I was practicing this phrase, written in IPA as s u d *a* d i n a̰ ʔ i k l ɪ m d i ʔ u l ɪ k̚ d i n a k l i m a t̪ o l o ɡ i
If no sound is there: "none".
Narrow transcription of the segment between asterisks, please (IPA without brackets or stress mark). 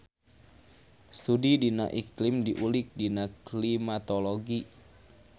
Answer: i